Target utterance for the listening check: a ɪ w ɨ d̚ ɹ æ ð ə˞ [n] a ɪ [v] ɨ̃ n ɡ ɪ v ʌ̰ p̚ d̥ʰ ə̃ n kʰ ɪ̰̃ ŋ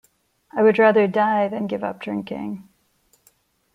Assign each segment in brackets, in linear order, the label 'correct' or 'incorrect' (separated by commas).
incorrect, incorrect